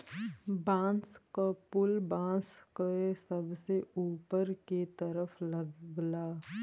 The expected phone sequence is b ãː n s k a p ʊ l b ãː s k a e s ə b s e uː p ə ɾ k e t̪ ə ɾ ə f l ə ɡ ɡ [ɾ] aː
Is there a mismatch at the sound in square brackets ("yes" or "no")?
yes